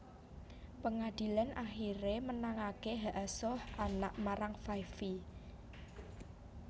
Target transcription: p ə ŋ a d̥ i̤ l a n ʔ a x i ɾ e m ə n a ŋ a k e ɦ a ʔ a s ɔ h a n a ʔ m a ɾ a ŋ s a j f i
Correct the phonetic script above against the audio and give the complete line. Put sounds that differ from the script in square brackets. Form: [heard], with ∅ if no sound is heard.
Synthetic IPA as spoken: p ə ŋ a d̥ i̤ l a n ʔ a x i ɾ e m ə n a ŋ a k e ɦ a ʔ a s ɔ h a n a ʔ m a ɾ a ŋ [f] a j f i